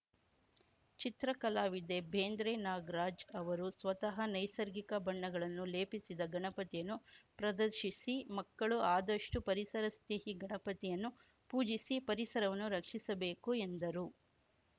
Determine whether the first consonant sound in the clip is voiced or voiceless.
voiceless